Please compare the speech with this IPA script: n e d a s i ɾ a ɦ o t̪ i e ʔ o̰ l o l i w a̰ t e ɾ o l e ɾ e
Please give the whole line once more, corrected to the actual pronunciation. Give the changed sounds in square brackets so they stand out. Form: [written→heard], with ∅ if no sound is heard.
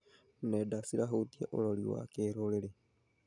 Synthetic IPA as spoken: n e d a s i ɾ a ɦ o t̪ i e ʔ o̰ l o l i w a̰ [t→k] e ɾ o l e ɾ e